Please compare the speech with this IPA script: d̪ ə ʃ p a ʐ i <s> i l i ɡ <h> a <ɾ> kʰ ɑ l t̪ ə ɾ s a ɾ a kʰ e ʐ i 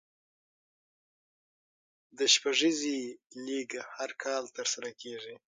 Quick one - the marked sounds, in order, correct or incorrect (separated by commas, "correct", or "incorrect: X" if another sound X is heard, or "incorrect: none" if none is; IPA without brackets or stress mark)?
incorrect: z, correct, correct